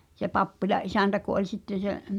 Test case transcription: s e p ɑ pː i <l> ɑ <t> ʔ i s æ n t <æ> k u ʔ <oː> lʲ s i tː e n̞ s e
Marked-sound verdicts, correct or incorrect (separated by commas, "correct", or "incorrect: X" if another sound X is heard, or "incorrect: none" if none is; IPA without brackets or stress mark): correct, incorrect: ʔ, correct, incorrect: o